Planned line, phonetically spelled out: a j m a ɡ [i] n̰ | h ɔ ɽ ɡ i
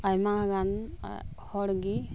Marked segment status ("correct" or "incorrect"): incorrect